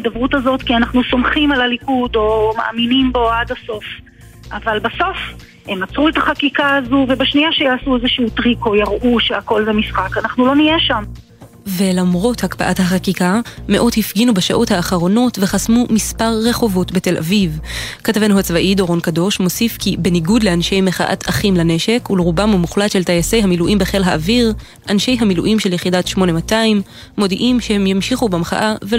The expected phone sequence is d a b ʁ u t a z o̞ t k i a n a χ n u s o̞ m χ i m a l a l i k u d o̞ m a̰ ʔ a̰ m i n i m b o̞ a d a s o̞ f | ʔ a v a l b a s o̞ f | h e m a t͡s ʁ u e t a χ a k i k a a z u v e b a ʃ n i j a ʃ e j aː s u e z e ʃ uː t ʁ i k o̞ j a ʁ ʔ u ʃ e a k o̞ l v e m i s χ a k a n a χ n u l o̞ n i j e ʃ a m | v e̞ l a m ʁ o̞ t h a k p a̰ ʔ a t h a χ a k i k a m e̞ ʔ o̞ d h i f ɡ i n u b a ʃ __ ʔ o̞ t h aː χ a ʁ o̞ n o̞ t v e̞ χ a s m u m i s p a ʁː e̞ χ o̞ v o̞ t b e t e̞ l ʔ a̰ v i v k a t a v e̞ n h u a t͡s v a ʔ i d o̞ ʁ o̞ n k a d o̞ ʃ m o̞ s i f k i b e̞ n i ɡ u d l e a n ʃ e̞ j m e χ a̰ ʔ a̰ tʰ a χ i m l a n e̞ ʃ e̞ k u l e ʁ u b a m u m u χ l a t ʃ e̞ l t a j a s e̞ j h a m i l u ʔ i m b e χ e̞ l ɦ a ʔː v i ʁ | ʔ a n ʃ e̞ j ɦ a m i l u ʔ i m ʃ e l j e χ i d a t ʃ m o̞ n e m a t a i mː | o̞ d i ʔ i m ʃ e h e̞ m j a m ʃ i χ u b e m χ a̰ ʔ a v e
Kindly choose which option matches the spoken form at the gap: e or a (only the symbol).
a